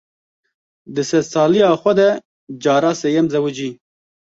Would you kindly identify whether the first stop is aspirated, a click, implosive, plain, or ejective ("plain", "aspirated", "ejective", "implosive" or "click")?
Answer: plain